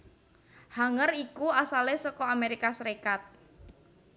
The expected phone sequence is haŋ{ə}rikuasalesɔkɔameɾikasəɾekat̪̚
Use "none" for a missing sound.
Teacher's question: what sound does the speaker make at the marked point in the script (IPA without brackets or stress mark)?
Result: ə